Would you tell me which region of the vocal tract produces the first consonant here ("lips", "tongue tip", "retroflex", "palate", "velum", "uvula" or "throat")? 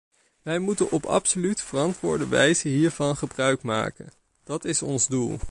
lips